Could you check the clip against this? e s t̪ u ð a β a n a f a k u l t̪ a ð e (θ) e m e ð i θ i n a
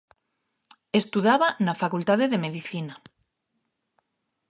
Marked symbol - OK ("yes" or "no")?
no